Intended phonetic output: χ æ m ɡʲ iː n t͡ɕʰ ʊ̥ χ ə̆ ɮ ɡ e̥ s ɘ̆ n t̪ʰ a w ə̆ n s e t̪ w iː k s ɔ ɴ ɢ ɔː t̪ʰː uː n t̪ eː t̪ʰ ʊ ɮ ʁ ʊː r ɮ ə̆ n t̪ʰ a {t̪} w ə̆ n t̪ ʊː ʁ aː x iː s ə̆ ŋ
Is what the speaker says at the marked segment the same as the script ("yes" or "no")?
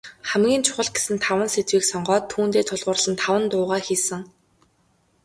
no